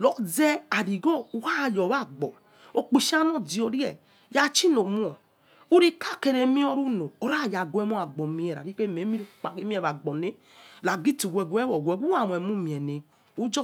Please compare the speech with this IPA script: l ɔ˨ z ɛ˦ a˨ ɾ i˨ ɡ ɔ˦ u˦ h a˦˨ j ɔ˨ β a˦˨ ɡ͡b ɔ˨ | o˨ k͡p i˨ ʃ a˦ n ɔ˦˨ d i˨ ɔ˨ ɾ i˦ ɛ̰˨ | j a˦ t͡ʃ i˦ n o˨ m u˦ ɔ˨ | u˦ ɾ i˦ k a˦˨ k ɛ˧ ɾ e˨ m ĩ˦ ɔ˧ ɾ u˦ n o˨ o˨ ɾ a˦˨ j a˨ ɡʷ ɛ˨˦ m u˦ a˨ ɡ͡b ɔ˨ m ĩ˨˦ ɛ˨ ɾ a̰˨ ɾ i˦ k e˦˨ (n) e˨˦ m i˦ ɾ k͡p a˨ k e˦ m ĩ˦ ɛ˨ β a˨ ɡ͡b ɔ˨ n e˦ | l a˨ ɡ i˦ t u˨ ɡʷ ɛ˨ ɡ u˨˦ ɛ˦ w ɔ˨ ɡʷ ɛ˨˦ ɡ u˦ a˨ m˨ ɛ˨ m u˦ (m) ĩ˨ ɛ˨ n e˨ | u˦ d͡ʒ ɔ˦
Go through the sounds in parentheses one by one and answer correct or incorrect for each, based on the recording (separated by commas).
incorrect, correct